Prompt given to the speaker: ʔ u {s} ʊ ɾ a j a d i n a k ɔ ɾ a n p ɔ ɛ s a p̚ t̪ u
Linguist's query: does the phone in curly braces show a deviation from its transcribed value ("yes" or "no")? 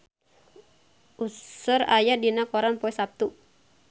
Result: no